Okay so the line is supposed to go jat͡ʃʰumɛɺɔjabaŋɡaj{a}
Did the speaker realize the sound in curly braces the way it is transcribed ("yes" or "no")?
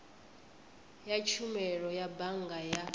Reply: yes